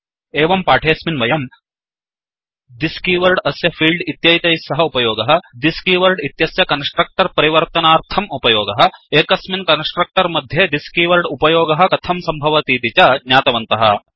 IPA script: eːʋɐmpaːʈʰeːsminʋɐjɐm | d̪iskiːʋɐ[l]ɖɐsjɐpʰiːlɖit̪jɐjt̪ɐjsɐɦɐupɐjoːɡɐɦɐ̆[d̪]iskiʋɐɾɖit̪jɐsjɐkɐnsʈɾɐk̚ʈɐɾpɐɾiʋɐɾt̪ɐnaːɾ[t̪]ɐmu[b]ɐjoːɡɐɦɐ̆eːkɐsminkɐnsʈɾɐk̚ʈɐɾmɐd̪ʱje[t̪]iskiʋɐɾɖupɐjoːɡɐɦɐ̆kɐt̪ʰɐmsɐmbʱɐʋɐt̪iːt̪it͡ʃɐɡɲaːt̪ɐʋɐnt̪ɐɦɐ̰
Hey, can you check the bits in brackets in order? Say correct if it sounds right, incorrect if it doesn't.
incorrect, correct, incorrect, incorrect, incorrect

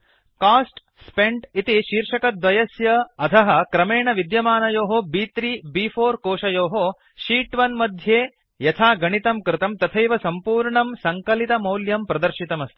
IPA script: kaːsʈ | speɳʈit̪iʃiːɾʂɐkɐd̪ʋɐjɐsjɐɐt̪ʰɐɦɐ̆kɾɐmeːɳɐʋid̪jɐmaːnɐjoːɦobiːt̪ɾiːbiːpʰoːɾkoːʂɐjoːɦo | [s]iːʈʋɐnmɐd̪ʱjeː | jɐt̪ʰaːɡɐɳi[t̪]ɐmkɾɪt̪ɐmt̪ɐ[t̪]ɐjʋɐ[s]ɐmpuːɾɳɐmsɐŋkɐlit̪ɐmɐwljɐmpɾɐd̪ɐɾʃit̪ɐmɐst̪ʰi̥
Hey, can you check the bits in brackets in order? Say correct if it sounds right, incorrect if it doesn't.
incorrect, correct, incorrect, correct

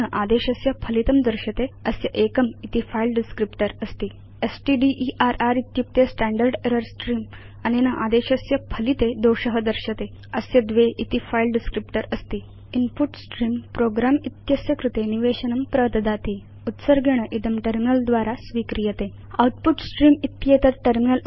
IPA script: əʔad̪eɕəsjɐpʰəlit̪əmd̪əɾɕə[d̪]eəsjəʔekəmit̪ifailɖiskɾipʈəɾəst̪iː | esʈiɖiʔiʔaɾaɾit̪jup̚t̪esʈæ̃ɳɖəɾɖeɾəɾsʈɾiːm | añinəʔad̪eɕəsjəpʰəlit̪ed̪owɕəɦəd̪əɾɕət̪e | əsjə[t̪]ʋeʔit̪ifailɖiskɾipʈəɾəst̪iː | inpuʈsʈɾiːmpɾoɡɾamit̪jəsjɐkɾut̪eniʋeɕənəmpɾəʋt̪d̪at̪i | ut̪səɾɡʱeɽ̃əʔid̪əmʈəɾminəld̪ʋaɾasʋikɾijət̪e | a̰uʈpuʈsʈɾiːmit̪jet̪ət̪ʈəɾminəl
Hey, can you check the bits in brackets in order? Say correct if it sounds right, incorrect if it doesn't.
incorrect, incorrect

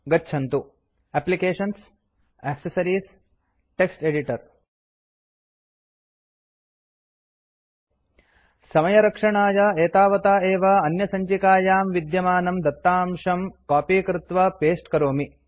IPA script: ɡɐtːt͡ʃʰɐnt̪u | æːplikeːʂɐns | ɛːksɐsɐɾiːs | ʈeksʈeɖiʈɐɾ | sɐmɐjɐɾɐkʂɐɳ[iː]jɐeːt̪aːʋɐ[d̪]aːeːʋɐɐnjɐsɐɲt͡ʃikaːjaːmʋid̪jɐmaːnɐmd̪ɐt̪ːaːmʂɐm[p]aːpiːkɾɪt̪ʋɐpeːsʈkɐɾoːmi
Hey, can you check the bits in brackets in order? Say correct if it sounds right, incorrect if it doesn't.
incorrect, incorrect, incorrect

